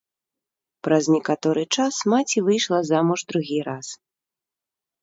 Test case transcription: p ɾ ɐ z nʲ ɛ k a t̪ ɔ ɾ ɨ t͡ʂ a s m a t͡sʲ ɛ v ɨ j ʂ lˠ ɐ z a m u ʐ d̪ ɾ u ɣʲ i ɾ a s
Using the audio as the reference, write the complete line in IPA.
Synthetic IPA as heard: p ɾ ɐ z nʲ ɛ k a t̪ ɔ ɾ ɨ t͡ʂ a s m a t͡sʲ i v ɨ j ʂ lˠ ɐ z a m u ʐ d̪ ɾ u ɣʲ i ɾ a s